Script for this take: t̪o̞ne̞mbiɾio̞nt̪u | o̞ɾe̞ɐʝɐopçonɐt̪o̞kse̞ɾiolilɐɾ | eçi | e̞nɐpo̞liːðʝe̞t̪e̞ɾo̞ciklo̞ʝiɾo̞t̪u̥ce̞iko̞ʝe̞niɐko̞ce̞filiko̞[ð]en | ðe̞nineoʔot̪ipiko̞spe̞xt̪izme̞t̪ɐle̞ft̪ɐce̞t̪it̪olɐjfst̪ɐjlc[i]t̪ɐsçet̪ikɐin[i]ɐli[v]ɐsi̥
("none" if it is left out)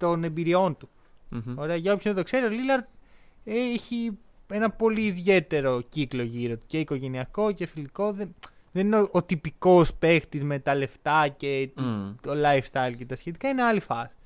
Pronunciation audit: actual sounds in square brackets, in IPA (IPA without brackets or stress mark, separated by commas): ð, e, e, f